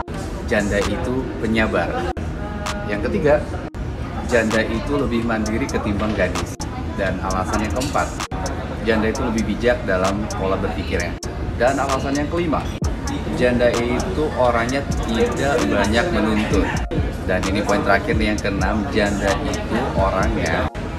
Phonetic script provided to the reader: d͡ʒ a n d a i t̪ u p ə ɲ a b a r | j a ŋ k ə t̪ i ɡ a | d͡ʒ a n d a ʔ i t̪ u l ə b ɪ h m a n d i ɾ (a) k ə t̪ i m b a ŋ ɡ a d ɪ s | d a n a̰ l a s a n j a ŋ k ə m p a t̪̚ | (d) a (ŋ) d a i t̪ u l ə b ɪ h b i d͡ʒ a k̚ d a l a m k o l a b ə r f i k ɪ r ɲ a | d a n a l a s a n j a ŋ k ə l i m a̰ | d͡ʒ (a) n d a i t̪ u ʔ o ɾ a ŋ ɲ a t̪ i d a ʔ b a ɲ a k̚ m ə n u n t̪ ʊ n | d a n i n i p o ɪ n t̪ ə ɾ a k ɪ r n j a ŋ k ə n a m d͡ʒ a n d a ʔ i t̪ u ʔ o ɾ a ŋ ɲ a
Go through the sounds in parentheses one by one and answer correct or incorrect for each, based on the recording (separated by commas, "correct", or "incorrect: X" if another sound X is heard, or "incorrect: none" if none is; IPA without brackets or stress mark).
incorrect: i, incorrect: d͡ʒ, incorrect: n, correct